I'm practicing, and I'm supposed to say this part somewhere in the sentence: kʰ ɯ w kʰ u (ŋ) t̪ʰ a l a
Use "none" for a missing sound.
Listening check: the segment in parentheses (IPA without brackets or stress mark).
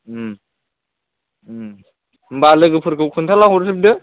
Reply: n